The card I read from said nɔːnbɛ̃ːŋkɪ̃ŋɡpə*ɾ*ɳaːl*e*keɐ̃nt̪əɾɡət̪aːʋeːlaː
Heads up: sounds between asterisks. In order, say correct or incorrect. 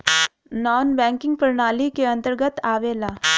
correct, incorrect: i

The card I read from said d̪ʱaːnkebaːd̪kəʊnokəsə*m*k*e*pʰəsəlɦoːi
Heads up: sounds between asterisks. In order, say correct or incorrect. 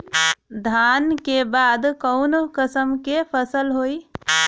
correct, correct

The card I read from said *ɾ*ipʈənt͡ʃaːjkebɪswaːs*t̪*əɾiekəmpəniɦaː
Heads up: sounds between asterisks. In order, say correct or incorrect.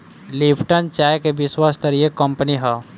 incorrect: l, correct

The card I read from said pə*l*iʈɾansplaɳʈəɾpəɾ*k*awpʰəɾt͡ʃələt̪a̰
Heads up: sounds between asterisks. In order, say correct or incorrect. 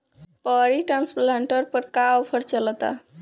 incorrect: ɾ, correct

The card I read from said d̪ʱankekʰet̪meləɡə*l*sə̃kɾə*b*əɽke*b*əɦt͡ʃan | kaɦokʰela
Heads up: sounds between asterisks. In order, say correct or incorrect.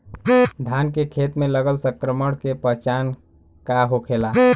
correct, incorrect: m, incorrect: p

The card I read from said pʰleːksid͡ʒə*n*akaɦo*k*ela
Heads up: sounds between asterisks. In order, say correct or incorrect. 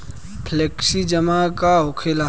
incorrect: m, incorrect: kʰ

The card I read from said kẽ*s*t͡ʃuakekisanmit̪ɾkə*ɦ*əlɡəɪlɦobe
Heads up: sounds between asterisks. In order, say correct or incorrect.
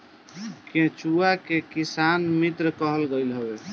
incorrect: none, correct

